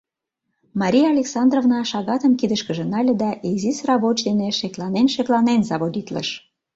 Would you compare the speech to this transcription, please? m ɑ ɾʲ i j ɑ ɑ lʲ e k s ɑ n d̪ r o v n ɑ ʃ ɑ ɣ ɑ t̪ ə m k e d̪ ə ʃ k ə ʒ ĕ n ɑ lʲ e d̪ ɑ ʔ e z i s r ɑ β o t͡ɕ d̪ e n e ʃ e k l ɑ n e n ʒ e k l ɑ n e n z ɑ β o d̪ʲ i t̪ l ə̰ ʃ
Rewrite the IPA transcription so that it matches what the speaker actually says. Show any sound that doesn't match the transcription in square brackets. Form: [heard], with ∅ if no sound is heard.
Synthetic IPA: m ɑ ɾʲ i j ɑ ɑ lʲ e k s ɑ n d̪ r o v n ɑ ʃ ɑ ɣ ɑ t̪ ə m k [i] d̪ ə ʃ k ə ʒ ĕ n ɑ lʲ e d̪ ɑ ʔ e z i s r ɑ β o t͡ɕ d̪ e n e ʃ e k l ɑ n e n [ʃ] e k l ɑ n e n z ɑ β o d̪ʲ i t̪ l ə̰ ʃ